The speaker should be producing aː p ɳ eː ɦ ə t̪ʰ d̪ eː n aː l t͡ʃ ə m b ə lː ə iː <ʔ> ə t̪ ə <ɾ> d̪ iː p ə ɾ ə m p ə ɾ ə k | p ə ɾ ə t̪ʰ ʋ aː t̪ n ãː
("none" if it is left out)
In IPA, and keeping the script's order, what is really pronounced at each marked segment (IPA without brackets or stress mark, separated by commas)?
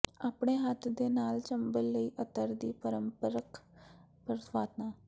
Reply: ʔ, ɾ